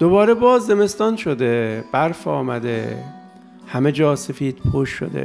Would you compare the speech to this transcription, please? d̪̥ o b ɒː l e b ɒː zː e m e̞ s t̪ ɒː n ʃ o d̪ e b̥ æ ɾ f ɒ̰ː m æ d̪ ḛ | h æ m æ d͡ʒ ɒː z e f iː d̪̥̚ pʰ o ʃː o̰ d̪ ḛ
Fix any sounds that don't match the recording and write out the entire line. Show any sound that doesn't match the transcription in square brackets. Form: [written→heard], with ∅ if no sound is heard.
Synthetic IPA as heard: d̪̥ o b ɒː [l→ɾ] e b ɒː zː e m e̞ s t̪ ɒː n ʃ o d̪ e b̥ æ ɾ f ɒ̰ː m æ d̪ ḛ | h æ m [æ→e] d͡ʒ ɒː [z→s] e f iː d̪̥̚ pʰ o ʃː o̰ d̪ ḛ